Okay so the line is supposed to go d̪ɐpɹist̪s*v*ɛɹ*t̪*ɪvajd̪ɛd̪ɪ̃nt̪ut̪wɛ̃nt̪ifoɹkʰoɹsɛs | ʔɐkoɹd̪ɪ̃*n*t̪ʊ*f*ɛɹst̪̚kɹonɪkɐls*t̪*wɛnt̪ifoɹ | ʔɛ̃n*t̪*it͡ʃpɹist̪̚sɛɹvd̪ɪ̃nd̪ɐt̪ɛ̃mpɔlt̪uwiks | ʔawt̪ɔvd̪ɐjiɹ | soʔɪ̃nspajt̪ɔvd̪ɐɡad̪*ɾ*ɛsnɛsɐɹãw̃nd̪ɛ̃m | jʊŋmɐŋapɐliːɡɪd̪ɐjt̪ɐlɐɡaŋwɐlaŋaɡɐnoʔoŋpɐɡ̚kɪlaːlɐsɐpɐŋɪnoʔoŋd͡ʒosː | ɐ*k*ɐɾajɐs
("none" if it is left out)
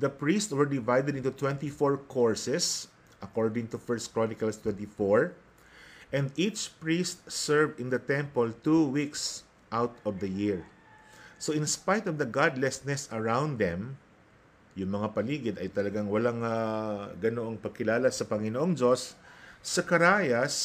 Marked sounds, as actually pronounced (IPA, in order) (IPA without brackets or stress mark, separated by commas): w, d̪, ŋ, f, t̪, d̪, l, k